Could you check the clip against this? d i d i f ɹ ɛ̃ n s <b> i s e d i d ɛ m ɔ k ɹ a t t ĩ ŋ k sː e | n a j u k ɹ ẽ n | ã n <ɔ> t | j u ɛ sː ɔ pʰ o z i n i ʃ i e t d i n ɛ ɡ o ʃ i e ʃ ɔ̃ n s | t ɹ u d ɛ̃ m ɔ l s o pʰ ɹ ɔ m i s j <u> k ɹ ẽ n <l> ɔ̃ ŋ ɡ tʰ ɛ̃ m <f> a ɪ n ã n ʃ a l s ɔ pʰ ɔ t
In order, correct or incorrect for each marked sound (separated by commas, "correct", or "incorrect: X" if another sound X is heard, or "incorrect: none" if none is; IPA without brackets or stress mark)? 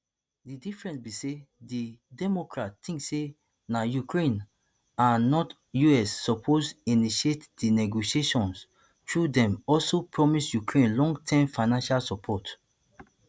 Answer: correct, correct, correct, correct, correct